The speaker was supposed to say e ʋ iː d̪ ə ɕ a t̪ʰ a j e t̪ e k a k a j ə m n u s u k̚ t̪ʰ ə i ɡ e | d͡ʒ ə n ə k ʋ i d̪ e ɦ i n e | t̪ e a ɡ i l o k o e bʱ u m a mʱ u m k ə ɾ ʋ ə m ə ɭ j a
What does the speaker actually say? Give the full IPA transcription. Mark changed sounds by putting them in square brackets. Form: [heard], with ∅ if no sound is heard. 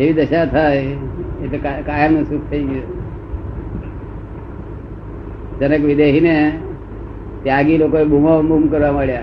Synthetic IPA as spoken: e ʋ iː d̪ ə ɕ a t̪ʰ a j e t̪ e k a k a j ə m n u s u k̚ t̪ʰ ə i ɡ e | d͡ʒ ə n ə k ʋ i d̪ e ɦ i n e | t̪ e a ɡ i l o k o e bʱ u m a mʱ u m k ə ɾ ʋ [a] m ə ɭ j a